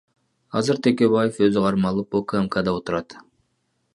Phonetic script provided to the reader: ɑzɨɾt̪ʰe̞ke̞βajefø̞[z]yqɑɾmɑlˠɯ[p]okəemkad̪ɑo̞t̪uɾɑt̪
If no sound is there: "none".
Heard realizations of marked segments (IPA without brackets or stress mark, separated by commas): z, p